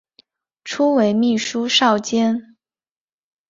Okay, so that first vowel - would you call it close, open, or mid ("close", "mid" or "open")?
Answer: close